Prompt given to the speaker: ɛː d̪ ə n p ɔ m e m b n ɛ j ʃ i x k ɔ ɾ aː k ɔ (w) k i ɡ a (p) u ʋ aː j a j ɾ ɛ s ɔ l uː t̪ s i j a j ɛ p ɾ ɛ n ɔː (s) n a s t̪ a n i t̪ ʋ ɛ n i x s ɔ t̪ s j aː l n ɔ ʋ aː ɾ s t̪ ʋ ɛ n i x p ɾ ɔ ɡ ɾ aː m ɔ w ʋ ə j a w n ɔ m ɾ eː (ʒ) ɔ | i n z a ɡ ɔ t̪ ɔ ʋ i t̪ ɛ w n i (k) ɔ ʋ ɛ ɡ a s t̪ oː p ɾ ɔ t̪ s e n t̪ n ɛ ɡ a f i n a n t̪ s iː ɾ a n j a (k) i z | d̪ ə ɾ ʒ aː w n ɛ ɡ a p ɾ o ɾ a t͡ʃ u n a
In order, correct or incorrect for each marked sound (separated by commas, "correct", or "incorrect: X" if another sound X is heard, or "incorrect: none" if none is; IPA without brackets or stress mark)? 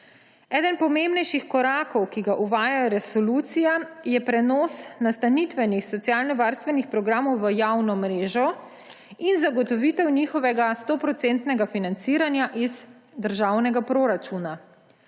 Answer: correct, incorrect: ʔ, correct, correct, incorrect: x, incorrect: ʔ